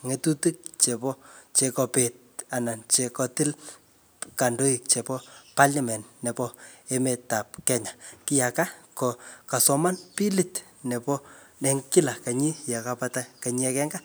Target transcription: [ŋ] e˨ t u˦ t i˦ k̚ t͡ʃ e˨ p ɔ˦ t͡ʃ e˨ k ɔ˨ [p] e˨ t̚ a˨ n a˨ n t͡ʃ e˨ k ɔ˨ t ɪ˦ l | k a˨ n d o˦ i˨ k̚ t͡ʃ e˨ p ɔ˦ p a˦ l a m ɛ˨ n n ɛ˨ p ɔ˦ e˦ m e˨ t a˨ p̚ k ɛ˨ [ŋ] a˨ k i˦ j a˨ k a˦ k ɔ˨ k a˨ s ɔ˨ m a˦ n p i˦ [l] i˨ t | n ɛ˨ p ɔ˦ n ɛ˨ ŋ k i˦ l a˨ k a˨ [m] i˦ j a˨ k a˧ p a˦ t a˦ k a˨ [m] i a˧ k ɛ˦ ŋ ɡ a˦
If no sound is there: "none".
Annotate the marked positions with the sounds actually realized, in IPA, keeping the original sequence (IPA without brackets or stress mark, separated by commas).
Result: ŋ, p, ɲ, l, ɲ, ɲ